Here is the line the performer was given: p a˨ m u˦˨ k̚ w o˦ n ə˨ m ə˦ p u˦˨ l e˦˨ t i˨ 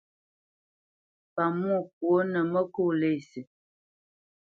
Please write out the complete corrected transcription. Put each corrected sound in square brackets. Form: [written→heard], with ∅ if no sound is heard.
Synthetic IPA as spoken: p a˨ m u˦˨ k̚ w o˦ n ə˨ m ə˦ [p→k] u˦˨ l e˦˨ [t→s] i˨